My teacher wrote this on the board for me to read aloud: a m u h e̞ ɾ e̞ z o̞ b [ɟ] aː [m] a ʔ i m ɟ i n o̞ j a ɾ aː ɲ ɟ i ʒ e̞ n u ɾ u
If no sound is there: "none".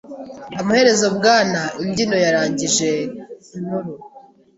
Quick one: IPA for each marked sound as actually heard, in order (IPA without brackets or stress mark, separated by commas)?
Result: ɡ, n